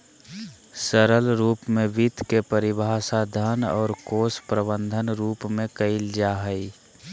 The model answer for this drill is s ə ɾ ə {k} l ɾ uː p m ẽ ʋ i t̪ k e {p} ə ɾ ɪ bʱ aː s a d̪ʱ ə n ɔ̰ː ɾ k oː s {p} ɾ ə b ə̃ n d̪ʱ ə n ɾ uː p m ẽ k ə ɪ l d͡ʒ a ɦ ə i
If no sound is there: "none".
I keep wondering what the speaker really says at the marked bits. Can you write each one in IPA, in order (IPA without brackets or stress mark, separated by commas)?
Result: none, p, p